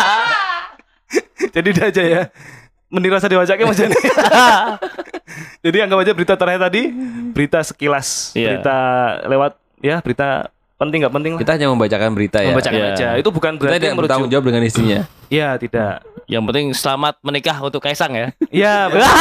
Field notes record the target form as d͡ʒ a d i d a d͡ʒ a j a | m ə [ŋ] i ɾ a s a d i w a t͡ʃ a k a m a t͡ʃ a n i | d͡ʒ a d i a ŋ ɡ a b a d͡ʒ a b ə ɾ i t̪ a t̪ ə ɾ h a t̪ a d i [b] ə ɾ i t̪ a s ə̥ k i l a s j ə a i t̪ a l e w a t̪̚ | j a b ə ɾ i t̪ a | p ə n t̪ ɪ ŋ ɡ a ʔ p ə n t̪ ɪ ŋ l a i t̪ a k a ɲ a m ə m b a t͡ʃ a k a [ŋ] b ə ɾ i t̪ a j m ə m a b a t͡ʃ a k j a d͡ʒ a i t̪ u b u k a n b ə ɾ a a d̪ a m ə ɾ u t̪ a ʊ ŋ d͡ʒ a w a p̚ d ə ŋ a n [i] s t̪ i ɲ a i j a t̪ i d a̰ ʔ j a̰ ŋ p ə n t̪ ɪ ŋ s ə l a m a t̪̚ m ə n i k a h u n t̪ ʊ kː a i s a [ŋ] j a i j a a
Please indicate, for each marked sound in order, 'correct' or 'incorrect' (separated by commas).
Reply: incorrect, correct, incorrect, correct, correct